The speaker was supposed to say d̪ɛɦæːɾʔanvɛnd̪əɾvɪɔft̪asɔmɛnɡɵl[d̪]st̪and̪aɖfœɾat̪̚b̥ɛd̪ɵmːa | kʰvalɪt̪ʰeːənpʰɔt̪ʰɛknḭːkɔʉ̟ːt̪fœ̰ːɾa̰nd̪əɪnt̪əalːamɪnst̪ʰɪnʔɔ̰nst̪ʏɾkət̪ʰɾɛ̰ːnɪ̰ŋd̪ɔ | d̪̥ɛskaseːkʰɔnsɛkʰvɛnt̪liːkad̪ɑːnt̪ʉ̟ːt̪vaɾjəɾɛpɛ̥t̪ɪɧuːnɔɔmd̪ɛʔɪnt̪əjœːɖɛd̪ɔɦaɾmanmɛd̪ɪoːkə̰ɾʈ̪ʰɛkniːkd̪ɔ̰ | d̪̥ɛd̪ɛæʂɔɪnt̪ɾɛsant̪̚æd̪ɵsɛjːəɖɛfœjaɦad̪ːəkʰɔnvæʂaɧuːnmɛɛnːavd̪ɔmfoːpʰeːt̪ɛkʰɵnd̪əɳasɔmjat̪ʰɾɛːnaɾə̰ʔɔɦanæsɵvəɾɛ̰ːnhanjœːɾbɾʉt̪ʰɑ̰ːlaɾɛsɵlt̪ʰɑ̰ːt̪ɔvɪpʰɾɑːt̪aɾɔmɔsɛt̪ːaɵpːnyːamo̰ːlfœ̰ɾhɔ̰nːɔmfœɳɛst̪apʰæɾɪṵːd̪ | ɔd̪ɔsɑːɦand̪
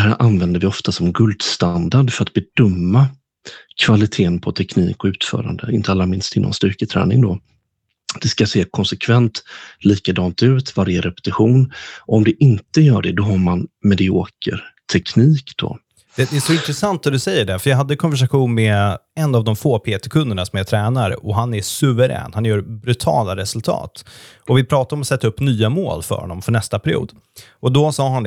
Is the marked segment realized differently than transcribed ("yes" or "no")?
no